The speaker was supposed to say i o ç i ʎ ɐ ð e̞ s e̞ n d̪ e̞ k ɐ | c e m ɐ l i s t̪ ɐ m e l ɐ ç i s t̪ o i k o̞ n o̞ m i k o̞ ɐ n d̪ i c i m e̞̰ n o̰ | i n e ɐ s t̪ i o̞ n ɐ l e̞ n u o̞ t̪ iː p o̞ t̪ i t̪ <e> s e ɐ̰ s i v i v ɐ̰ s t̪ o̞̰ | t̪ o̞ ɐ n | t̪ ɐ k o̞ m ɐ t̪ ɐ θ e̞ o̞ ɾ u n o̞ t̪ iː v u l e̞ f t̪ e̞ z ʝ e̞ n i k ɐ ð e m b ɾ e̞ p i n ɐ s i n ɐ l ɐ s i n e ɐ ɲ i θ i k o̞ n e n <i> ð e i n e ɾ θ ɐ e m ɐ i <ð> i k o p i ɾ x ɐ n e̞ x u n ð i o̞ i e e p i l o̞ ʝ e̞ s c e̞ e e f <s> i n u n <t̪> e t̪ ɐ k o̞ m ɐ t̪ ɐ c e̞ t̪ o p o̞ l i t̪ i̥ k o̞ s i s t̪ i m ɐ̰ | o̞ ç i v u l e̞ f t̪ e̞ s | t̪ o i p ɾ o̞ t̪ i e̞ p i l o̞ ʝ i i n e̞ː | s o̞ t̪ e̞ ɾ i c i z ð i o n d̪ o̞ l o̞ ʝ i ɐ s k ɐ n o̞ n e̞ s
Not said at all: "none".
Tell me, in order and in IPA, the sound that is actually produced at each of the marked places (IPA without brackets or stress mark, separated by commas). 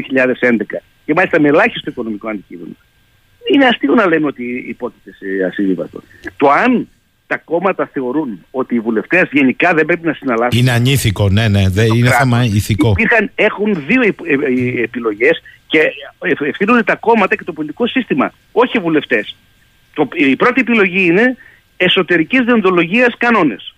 e, e, θ, θ, d̪